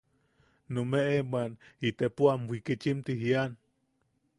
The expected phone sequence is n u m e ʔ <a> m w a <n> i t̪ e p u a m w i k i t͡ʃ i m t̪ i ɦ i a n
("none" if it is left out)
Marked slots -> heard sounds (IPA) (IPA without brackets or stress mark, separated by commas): e, n